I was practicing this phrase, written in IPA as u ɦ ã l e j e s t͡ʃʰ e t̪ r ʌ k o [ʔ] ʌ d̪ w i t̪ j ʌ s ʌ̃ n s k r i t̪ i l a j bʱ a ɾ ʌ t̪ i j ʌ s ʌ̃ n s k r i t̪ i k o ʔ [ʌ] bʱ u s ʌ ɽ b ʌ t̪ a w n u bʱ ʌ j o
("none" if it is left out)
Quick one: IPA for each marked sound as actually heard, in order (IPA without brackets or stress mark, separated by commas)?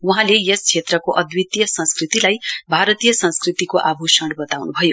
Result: ʔ, a